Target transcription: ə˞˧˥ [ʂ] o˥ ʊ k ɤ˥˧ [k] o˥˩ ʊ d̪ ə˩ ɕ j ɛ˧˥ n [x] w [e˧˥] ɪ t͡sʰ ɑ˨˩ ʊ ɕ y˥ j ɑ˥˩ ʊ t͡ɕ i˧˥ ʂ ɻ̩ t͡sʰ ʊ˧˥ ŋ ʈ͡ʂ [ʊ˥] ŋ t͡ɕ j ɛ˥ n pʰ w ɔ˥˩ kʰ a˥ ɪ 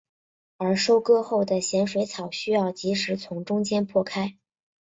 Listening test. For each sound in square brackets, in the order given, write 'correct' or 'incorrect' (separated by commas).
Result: correct, incorrect, incorrect, correct, correct